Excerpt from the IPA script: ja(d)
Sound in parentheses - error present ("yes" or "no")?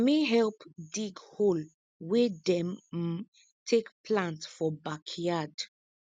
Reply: no